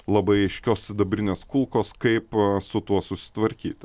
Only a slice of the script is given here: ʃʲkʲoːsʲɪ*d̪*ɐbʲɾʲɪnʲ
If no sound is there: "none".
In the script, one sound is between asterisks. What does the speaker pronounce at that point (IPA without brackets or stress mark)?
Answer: d̪